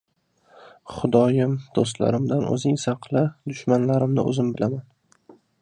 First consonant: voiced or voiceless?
voiceless